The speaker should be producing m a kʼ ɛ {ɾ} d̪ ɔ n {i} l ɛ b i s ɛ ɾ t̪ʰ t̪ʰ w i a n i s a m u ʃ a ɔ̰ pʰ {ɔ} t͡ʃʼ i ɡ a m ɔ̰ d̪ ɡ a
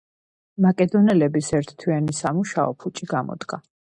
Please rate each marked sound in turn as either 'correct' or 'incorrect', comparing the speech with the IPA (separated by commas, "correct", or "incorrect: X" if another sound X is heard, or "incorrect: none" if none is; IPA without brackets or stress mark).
incorrect: none, incorrect: ɛ, incorrect: u